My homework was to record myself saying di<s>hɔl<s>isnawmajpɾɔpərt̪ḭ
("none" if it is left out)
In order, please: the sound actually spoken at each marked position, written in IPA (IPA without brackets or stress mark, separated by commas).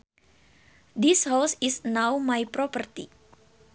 s, s